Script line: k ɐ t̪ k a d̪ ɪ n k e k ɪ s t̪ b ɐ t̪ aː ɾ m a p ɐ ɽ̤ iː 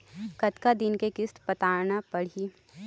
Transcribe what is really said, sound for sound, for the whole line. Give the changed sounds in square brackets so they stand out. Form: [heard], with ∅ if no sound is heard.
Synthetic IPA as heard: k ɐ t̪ k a d̪ ɪ n k e k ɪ s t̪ [p] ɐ t̪ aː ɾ [n] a p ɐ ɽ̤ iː